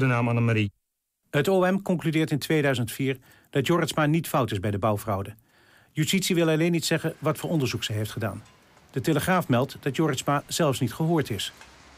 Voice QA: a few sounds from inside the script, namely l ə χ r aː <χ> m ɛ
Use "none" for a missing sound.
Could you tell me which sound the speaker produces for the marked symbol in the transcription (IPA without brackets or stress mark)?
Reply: f